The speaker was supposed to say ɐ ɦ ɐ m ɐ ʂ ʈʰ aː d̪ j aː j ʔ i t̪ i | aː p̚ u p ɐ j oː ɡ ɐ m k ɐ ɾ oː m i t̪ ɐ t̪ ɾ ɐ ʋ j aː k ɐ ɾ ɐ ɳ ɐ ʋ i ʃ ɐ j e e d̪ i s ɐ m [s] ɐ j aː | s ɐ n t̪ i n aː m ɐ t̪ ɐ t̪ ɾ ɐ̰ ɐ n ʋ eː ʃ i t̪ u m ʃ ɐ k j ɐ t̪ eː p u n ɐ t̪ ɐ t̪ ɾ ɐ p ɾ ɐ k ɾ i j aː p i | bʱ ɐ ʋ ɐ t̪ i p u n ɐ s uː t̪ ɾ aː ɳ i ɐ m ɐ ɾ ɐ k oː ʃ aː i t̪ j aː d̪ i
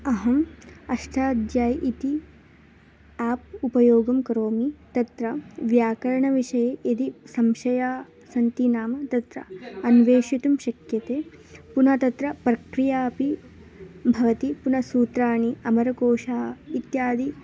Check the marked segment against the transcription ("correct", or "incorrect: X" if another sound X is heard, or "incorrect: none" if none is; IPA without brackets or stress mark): incorrect: ʃ